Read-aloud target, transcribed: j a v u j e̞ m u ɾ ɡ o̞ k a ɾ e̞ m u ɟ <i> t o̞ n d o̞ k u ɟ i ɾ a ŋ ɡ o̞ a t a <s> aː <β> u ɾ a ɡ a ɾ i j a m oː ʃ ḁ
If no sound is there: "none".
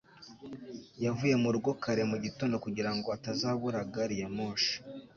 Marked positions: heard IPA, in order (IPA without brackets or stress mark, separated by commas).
i, z, β